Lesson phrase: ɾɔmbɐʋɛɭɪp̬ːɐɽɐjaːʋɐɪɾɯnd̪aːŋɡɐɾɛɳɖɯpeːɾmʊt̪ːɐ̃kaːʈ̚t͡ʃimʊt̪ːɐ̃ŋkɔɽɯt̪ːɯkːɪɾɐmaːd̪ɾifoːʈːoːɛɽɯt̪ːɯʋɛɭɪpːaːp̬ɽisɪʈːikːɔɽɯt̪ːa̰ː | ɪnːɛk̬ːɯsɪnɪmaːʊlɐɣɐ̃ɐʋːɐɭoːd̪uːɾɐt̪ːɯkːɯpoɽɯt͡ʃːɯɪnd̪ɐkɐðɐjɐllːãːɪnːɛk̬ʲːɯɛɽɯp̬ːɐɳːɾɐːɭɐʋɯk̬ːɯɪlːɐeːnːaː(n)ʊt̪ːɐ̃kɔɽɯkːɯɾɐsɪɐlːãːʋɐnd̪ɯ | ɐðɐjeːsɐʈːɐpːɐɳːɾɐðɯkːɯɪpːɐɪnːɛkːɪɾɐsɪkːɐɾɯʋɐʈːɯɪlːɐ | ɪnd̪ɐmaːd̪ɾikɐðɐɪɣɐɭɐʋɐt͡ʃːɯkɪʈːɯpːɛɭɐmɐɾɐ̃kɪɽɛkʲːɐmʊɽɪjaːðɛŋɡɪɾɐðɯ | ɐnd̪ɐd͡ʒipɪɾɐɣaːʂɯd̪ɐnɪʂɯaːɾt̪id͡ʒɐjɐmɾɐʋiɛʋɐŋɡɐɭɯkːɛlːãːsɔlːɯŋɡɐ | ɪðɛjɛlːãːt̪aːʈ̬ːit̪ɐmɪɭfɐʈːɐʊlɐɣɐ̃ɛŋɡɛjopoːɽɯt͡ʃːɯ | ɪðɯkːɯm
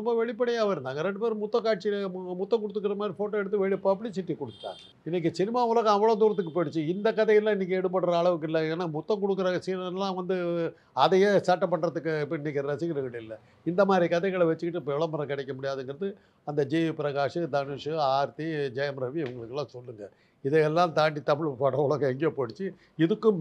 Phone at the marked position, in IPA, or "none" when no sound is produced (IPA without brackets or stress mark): m